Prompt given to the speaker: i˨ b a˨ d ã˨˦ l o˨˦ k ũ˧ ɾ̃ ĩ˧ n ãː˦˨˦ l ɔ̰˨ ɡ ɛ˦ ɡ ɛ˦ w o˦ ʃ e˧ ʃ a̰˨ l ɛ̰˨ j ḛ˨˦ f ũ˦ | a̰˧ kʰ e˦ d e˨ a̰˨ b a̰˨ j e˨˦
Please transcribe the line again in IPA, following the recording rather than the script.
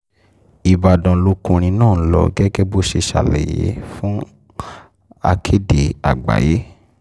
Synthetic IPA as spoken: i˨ b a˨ d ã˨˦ l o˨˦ k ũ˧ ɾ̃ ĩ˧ n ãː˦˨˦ l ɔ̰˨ ɡ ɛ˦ ɡ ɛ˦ b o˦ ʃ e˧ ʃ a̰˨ l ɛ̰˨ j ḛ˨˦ f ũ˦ | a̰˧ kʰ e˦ d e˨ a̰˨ ɡ͡b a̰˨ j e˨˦

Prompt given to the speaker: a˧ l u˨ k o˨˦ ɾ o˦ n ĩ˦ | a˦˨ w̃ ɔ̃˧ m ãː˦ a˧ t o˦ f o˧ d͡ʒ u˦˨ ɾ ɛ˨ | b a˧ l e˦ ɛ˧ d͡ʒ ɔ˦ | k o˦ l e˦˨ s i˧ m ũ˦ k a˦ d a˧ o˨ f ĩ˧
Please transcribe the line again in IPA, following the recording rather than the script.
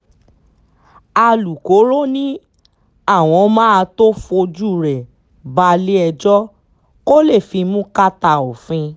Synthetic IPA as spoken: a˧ l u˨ k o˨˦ ɾ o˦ n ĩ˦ | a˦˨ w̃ ɔ̃˧ m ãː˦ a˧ t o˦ f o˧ d͡ʒ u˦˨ ɾ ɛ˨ | b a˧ l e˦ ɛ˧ d͡ʒ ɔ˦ | k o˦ l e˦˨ f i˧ m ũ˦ k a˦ t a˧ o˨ f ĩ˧

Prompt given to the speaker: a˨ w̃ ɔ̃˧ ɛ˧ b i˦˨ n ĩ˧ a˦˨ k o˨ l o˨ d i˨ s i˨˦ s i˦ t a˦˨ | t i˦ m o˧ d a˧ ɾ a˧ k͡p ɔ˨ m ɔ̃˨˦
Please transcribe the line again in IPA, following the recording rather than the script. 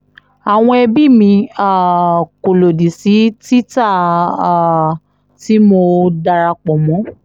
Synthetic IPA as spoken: a˨ w̃ ɔ̃˧ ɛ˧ b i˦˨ m ĩ˧ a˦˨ k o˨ l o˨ d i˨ s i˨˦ t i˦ t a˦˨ | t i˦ m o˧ d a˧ ɾ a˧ k͡p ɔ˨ m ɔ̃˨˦

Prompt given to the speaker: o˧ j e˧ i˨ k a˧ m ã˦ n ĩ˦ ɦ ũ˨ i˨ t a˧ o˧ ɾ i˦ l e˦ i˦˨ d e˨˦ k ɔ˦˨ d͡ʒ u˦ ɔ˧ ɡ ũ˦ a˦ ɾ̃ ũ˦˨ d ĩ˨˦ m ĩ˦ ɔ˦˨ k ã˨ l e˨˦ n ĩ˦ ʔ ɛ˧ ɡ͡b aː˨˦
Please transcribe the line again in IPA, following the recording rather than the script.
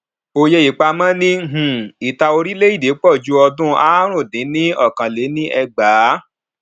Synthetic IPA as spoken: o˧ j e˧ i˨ k͡p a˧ m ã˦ n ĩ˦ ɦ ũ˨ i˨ t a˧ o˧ ɾ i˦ l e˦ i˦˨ d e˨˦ k͡p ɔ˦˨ d͡ʒ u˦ ɔ˧ d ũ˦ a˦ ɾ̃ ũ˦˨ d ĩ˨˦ n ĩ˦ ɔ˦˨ k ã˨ l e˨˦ n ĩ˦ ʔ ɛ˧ ɡ͡b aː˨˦

